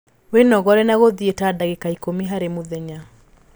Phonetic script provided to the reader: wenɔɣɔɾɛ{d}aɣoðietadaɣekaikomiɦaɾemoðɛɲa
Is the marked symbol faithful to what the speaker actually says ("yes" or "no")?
no